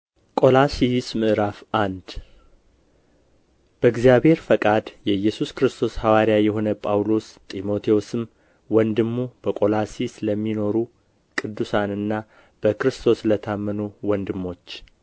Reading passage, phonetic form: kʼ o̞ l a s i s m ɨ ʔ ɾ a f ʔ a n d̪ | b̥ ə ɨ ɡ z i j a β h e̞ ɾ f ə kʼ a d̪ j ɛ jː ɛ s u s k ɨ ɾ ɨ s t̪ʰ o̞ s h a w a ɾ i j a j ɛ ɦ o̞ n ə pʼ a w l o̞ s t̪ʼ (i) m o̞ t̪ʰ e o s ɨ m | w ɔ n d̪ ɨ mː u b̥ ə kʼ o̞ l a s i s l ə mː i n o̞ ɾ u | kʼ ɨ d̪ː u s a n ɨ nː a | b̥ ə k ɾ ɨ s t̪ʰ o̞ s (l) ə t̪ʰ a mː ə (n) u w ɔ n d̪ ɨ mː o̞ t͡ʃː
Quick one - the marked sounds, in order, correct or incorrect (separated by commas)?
correct, correct, correct